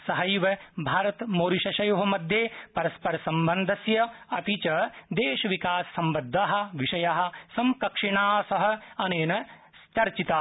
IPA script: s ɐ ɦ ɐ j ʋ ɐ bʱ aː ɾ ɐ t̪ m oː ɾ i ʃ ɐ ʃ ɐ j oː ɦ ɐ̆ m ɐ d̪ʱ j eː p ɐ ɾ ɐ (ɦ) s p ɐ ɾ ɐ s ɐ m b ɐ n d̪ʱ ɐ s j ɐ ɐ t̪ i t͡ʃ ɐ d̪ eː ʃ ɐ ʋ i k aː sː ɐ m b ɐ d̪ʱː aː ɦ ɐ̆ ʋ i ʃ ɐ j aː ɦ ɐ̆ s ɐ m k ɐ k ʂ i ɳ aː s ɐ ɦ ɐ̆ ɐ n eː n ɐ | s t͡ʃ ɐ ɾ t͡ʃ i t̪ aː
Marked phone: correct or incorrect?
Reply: incorrect: none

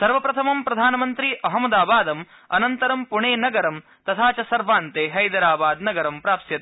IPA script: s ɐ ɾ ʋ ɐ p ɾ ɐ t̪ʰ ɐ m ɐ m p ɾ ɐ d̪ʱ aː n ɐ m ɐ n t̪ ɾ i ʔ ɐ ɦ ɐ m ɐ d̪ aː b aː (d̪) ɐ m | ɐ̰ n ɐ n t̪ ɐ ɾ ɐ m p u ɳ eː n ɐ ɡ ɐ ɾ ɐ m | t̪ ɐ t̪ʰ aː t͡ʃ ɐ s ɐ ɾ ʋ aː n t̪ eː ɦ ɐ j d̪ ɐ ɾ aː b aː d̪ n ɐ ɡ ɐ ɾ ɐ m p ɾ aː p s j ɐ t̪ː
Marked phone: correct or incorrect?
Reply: correct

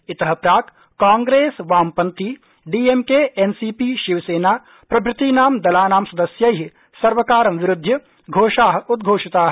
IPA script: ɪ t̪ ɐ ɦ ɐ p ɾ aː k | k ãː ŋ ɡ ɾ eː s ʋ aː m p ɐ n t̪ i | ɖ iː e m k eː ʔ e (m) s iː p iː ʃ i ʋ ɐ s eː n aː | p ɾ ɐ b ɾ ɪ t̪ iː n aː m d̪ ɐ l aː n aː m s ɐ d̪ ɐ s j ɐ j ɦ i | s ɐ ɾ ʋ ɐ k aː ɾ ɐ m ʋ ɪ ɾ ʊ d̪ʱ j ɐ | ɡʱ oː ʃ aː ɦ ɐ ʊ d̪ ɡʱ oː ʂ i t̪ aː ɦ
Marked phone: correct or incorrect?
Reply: incorrect: n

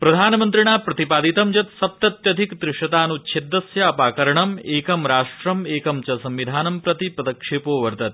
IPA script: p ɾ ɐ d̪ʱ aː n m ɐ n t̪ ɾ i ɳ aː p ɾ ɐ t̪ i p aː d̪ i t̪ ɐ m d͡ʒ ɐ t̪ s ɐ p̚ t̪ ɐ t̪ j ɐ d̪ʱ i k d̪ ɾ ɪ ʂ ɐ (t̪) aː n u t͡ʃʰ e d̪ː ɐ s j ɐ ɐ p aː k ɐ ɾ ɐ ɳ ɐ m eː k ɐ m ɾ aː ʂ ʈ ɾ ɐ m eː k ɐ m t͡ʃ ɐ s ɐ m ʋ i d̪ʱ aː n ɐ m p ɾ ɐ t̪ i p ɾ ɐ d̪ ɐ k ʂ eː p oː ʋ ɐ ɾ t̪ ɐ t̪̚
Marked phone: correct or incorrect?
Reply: correct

